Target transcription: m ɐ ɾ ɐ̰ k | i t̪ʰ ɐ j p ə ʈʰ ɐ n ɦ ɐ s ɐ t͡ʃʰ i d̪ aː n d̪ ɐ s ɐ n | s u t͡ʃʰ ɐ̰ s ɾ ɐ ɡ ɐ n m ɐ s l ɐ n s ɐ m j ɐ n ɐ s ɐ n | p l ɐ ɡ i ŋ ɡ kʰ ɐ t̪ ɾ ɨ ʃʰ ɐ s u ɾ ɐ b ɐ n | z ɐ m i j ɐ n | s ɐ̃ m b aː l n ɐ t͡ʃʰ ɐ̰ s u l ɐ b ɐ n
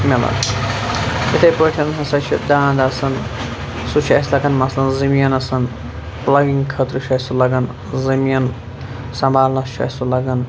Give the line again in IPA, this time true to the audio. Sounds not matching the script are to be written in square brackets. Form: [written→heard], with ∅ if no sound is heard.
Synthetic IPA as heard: m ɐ [ɾ→l] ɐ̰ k | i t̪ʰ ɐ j p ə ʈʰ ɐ n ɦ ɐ s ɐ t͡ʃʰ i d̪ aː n d̪ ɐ s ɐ n | s u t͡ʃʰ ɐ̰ s [ɾ→l] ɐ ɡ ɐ n m ɐ s l ɐ n [s→z] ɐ m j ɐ n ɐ s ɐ n | p l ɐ ɡ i ŋ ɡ kʰ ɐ t̪ ɾ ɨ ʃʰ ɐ s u [ɾ→l] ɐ [b→ɡ] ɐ n | z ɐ m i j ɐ n | s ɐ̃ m b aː l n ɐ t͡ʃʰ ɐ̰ s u l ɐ [b→ɡ] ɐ n